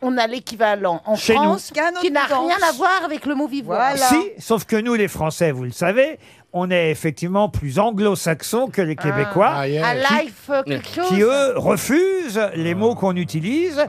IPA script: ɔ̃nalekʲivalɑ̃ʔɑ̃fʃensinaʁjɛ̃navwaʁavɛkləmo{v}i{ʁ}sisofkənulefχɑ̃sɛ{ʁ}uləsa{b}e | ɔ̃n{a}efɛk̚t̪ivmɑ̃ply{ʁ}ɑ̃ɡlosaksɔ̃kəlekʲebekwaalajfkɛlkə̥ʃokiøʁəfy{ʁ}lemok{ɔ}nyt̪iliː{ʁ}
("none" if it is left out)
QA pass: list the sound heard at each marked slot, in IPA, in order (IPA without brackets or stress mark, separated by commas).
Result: v, v, v, v, ɛ, z, z, ɔ̃, z